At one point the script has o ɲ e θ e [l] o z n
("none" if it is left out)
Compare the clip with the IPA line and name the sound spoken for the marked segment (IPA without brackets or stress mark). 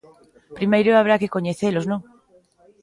l